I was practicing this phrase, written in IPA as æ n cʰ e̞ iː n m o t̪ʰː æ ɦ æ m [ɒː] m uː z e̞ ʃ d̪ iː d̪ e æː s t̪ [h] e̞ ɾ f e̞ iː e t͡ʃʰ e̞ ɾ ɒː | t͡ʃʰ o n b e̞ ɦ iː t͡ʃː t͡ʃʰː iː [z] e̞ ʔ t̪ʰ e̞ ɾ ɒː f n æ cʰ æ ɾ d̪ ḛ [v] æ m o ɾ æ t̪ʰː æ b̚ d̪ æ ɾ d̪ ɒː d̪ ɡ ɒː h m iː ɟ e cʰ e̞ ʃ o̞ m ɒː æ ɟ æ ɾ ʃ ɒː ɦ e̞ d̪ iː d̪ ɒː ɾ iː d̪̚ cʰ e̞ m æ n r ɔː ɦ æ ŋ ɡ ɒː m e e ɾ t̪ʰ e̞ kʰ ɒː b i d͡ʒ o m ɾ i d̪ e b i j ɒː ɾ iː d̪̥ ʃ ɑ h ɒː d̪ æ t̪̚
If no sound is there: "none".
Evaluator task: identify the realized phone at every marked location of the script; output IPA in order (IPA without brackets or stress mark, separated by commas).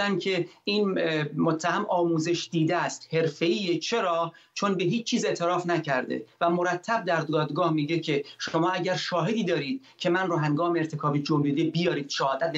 ɒː, h, z, v